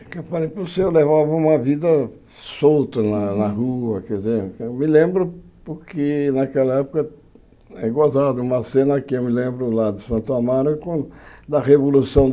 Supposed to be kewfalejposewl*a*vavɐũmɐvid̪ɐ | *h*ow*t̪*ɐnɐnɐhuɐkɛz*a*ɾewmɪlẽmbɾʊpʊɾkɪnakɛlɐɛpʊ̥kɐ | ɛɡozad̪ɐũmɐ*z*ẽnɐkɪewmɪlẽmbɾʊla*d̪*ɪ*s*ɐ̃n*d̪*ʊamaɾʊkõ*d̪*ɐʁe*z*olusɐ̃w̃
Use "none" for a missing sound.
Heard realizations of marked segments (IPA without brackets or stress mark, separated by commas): e, s, t̪, e, s, d̪, s, t̪, d̪, v